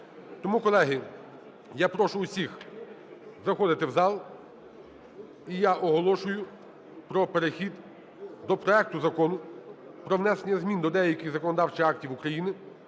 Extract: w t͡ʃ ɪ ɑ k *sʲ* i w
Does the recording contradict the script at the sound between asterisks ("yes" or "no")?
yes